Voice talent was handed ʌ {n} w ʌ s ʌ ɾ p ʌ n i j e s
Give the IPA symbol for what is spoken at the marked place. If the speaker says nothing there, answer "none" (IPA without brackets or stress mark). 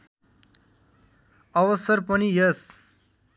none